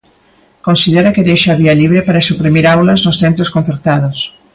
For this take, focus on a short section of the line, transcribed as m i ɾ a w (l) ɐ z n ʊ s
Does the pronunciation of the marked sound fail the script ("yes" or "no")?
no